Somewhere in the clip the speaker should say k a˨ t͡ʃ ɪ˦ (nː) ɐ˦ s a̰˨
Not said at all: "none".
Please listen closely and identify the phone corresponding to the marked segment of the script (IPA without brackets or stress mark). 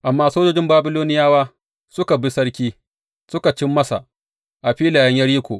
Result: mː